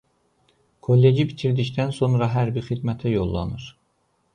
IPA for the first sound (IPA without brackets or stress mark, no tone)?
kʰ